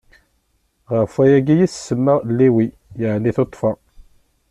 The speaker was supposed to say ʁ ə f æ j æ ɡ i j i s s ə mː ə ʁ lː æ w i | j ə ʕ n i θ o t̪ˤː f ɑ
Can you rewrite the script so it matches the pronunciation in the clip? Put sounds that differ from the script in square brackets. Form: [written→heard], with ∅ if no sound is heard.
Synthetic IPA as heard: ʁ ə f æ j æ ɡ i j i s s ə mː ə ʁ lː [æ→i] w i | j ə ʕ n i θ o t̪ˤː f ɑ